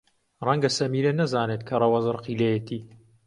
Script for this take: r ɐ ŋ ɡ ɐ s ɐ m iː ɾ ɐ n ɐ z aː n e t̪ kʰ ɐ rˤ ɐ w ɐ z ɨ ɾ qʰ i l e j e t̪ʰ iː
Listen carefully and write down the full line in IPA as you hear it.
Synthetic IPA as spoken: r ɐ ŋ ɡ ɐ s ɐ m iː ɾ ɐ n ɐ z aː n e t̪ kʰ ɐ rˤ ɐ w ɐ z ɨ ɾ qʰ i l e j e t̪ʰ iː